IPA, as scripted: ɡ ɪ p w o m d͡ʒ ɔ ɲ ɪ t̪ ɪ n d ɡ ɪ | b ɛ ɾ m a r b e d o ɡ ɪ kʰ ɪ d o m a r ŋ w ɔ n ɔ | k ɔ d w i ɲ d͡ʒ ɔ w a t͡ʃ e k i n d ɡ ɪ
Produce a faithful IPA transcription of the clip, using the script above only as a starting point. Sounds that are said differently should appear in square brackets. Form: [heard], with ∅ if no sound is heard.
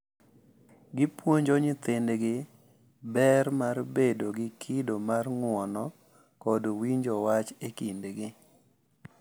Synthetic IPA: ɡ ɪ p w o [ɲ] d͡ʒ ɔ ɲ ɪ t̪ ɪ n d ɡ ɪ | b ɛ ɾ m a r b e d o ɡ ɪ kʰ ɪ d o m a r ŋ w ɔ n ɔ | k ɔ d w i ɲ d͡ʒ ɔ w a t͡ʃ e k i n d ɡ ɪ